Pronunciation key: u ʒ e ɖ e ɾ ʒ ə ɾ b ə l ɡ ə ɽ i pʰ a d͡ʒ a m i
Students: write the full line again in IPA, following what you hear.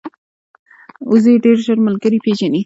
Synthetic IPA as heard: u z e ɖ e ɾ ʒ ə ɾ m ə l ɡ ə ɾ i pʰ e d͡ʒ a n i